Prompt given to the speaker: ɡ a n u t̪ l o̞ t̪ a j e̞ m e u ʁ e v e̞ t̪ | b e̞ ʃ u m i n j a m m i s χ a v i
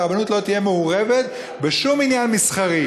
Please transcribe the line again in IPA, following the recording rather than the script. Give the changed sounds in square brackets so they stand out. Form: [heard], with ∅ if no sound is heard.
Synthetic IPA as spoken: [b] a n u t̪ l o̞ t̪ [i] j e̞ m e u ʁ e v e̞ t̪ | b e̞ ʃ u m i n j a [n] m i s χ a [ʁ] i

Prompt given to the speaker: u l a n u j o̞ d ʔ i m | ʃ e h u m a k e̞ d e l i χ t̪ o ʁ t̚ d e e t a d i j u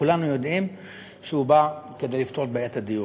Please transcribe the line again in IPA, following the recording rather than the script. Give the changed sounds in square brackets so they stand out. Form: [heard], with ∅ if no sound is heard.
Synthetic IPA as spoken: u l a n u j o̞ d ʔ i m | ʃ e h u [b] a k e̞ d e l i [f] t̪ o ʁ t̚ [b] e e t a d i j u

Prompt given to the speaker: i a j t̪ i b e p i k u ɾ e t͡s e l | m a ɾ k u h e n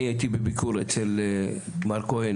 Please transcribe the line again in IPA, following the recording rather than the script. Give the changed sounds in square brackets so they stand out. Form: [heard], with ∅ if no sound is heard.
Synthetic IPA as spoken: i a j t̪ i b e [b] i k u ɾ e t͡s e l | m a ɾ k [o] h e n

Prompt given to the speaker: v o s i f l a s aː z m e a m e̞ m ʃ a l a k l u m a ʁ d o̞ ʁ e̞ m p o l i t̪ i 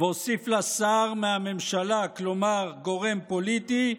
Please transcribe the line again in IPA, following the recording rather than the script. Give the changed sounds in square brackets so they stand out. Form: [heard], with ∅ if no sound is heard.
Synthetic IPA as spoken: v o s i f l a s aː [ʁ] m e a m e̞ m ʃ a l a k l [o] m a ʁ [ɡ] o̞ ʁ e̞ m p o l i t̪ i

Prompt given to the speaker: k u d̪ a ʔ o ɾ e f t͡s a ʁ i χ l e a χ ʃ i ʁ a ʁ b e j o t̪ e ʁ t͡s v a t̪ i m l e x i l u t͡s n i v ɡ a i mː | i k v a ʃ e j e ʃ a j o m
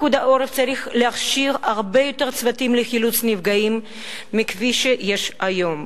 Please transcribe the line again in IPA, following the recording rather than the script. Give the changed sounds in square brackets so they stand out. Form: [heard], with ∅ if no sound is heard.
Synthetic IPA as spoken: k u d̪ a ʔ o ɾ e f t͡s a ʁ i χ l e a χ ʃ i ʁ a ʁ b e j o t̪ e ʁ t͡s v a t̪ i m l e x i l u t͡s n i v ɡ a i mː | i k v [i] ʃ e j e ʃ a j o m

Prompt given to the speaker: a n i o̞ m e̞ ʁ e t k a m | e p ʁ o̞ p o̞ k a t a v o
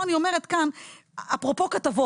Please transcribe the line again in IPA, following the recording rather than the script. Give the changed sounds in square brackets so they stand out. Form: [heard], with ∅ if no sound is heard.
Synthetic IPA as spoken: a n i o̞ m e̞ ʁ e t k a [n] | [a] p ʁ o̞ p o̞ k a t a v o

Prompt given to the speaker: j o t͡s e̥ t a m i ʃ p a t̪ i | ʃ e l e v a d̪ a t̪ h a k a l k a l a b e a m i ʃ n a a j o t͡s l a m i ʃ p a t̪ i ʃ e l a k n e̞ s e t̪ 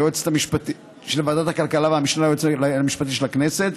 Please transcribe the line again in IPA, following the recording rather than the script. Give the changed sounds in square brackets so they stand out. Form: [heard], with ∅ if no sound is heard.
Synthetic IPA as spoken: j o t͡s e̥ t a m i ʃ p a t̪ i | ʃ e l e v a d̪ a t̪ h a k a l k a l a [v] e a m i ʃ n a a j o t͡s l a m i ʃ p a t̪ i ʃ e l a k n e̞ s e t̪

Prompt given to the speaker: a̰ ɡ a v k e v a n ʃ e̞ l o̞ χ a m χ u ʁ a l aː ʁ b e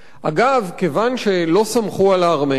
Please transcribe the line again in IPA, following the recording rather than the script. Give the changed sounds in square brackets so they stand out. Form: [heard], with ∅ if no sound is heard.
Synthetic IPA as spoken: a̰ ɡ a v k e v a n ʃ e̞ l o̞ [s] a m χ u [∅] a l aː ʁ [m] e

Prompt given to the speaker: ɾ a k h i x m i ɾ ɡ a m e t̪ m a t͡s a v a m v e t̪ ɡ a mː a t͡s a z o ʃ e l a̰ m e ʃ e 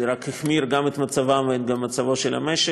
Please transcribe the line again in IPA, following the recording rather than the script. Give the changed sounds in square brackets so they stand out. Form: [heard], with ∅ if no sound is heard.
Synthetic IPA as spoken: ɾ a k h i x m i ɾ ɡ a m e t̪ m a t͡s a v a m v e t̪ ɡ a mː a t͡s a [v] o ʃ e l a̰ m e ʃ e

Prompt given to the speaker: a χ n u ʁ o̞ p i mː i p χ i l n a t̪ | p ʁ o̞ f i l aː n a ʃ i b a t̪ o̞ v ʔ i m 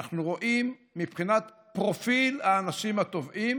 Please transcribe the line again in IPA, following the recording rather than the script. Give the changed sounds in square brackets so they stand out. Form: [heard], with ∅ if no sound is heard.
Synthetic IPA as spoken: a χ n u ʁ o̞ [ʔ] i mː i p χ i [∅] n a t̪ | p ʁ o̞ f i l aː n a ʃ i [m] a t̪ o̞ v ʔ i m

